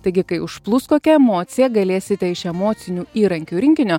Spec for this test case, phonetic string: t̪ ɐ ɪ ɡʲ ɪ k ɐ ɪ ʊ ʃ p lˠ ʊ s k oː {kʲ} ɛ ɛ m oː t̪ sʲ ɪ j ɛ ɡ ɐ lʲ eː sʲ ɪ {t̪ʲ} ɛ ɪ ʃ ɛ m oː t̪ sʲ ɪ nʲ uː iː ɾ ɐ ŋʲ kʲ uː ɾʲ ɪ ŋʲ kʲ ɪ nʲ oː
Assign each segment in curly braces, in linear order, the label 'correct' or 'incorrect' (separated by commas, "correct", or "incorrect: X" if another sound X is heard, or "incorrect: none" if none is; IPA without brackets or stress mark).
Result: correct, correct